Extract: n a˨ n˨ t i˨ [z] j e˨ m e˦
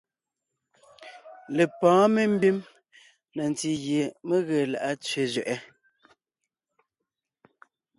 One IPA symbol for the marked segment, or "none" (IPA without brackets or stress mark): ɣ